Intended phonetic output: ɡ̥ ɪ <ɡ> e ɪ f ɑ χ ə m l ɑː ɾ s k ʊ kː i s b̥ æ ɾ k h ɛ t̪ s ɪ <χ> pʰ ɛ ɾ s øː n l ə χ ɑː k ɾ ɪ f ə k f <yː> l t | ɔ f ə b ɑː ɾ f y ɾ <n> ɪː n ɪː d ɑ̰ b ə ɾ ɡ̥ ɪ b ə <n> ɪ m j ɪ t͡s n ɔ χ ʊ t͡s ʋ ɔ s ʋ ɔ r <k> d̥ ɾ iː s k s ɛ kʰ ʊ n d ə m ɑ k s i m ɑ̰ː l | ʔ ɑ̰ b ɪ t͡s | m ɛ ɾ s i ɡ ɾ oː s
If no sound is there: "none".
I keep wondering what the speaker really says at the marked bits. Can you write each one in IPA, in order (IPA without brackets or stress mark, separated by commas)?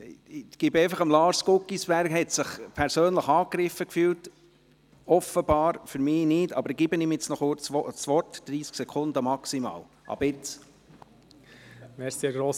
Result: b, χ, yː, m, n, t